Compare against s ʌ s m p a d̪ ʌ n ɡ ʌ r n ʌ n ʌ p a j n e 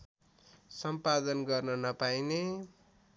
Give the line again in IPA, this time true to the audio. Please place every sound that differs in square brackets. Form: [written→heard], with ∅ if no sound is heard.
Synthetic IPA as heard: s ʌ [s→∅] m p a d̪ ʌ n ɡ ʌ r n ʌ n ʌ p a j n e